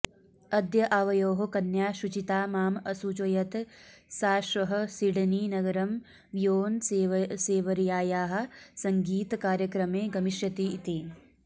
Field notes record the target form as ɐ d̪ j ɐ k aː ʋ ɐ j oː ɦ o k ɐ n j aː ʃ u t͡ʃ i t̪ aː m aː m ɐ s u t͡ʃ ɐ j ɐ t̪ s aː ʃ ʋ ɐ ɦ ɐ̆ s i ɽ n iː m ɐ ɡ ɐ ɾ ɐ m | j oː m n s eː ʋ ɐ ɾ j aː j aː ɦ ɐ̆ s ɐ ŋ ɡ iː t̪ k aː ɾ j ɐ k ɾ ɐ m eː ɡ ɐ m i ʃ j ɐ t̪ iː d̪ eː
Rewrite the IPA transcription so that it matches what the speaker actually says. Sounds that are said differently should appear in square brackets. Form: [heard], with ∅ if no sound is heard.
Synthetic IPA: ɐ d̪ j ɐ [ʔ] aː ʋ ɐ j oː ɦ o k ɐ n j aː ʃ u t͡ʃ i t̪ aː m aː m ɐ s u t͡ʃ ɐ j ɐ t̪ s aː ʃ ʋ ɐ ɦ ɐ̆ s i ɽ n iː [n] ɐ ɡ ɐ ɾ ɐ m | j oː [∅] n s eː ʋ ɐ ɾ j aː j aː ɦ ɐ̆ s ɐ ŋ ɡ iː t̪ k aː ɾ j ɐ k ɾ ɐ m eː ɡ ɐ m i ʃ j ɐ t̪ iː [t̪] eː

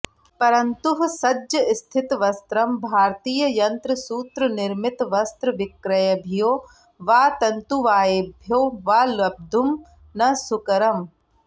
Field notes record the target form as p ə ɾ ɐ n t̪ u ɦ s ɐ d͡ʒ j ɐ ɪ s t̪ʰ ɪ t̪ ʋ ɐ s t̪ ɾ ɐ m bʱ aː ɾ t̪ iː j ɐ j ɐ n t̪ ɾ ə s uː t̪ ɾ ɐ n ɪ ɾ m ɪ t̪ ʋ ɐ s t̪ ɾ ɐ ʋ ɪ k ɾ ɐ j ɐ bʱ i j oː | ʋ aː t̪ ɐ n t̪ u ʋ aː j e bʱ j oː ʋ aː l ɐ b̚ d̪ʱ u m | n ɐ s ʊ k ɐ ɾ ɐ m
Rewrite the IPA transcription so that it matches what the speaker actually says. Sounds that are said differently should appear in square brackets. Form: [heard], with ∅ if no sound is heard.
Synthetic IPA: p [ɐ] ɾ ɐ n t̪ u ɦ s ɐ d͡ʒ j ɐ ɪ s t̪ʰ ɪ t̪ ʋ ɐ s t̪ ɾ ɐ m bʱ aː ɾ t̪ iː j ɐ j ɐ n t̪ ɾ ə s uː t̪ ɾ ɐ n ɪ ɾ m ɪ t̪ ʋ ɐ s t̪ ɾ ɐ ʋ ɪ k ɾ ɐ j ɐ bʱ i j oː | ʋ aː t̪ ɐ n t̪ u ʋ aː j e bʱ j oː ʋ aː l ɐ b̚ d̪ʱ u m | n ɐ s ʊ k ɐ ɾ ɐ m

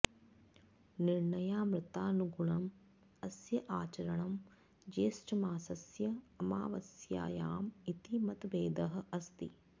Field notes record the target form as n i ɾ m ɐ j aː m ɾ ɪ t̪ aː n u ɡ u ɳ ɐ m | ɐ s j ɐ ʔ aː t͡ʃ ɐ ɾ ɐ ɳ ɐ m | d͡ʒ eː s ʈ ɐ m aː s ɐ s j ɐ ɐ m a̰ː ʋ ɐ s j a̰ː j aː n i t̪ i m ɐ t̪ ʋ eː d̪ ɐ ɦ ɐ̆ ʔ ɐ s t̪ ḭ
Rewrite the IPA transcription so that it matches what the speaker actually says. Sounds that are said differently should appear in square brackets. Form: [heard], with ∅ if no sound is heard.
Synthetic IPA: n i ɾ [ɳ] ɐ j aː m ɾ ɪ t̪ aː n u ɡ u ɳ ɐ m | ɐ s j ɐ ʔ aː t͡ʃ ɐ ɾ ɐ ɳ ɐ m | d͡ʒ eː s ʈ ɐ m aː s ɐ s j ɐ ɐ m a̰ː ʋ ɐ s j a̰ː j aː [m] i t̪ i m ɐ t̪ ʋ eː d̪ ɐ ɦ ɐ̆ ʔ ɐ s t̪ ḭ

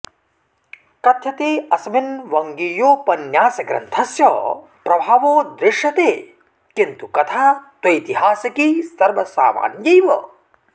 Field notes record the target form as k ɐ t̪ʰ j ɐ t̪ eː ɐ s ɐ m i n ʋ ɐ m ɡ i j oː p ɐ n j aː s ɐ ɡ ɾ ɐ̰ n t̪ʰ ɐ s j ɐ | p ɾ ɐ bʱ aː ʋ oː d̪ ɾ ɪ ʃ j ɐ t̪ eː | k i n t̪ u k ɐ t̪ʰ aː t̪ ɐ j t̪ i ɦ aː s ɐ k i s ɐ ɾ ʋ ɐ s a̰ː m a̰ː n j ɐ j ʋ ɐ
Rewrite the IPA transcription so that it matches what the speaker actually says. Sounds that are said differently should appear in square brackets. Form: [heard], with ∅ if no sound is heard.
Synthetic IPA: k ɐ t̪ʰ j ɐ t̪ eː ɐ s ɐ m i n ʋ ɐ [ŋ] ɡ i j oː p ɐ n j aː s ɐ ɡ ɾ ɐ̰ n t̪ʰ ɐ s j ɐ | p ɾ ɐ bʱ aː ʋ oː d̪ ɾ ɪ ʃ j ɐ t̪ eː | k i n t̪ u k ɐ t̪ʰ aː t̪ ɐ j t̪ i ɦ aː s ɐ k i s ɐ ɾ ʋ ɐ s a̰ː m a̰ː n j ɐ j ʋ ɐ

